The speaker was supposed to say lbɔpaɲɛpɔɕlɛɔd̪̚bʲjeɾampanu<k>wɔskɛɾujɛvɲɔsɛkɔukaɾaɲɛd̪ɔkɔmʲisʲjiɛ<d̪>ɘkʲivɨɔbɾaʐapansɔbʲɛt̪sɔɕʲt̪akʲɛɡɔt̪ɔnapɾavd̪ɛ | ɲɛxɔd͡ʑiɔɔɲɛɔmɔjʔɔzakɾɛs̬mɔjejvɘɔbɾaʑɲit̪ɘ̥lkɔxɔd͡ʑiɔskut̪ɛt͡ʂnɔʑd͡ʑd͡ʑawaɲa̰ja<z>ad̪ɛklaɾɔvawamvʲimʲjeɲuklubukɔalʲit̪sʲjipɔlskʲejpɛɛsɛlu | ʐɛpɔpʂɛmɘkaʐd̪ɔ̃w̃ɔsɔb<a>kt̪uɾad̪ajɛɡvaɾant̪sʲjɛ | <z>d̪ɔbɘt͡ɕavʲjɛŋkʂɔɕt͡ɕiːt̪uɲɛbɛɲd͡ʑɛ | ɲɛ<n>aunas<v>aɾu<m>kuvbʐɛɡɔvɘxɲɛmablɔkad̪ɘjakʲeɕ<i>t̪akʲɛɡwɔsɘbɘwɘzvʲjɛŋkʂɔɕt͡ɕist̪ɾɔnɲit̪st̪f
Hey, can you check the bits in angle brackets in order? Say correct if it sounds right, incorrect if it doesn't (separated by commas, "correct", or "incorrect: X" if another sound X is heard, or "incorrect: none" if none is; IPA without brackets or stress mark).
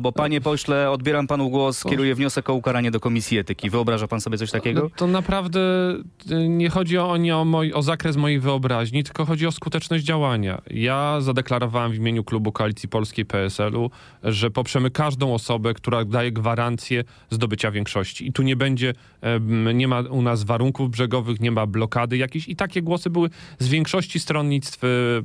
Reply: incorrect: ɡ, incorrect: t̪, correct, incorrect: ɛ, correct, incorrect: m, correct, incorrect: ŋ, correct